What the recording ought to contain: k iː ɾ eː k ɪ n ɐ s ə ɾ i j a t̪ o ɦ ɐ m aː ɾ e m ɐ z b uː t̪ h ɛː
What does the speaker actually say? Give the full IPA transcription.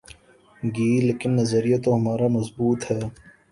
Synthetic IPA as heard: ɡ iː l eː k ɪ nː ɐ z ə ɾ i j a t̪ o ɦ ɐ m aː ɾ a m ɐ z b uː t̪ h ɛː